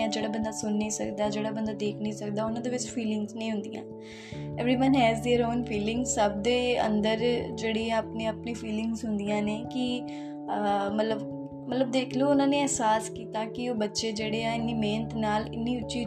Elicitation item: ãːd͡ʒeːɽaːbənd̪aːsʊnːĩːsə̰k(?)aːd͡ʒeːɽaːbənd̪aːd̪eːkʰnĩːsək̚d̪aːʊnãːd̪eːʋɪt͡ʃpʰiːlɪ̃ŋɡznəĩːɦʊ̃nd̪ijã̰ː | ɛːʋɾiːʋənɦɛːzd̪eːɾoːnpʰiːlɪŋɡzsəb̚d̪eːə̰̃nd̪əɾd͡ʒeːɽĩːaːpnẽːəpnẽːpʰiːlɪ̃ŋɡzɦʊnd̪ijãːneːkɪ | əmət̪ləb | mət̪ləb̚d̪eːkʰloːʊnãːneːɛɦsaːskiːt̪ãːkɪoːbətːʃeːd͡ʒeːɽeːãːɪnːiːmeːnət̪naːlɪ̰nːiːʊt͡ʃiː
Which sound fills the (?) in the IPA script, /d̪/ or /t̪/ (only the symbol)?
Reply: d̪